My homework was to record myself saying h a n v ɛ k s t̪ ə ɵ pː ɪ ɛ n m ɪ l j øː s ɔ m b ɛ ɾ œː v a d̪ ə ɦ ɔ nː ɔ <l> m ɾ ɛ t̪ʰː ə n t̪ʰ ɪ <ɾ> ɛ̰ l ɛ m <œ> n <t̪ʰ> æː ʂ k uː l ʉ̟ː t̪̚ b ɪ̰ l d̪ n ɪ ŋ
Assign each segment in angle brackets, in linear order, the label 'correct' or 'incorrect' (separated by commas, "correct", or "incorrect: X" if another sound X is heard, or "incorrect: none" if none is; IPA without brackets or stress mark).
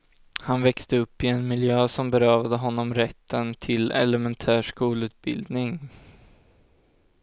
incorrect: none, incorrect: l, incorrect: ɛ, correct